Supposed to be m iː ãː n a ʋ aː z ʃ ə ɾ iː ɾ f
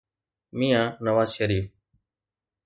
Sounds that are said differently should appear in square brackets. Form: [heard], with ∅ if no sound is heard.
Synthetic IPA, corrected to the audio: m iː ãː n [ə] ʋ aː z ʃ ə ɾ iː [∅] f